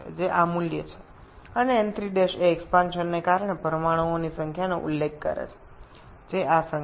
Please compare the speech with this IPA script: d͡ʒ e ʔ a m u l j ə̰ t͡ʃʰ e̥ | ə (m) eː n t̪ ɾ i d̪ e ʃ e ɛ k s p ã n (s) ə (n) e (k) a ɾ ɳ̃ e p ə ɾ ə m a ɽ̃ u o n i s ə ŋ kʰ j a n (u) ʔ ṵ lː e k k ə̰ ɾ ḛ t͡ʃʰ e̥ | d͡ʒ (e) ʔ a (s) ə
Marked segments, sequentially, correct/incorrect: incorrect, incorrect, incorrect, correct, incorrect, correct, correct

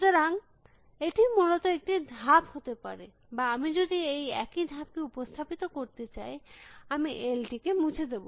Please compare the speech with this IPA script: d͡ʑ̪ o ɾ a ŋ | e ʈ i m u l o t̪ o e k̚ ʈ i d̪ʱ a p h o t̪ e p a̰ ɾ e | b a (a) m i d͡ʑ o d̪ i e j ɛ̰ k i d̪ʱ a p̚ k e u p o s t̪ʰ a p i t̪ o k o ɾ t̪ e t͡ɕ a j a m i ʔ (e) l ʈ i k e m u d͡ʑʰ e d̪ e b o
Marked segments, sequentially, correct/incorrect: correct, correct

